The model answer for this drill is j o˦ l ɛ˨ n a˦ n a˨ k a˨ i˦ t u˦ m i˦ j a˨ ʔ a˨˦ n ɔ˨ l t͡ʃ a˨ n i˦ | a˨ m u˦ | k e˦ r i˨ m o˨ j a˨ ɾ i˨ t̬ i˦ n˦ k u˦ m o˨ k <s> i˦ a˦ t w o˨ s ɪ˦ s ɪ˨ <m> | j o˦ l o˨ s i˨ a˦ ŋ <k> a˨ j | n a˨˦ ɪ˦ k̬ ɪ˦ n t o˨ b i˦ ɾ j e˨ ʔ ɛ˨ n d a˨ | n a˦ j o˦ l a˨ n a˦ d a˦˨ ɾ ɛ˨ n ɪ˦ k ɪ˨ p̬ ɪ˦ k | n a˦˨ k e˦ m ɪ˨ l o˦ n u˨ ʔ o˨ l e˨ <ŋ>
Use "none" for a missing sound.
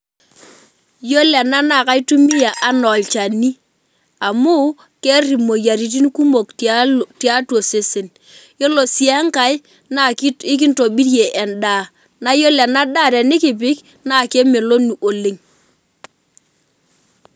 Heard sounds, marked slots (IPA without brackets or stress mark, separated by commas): t, n, k, ŋ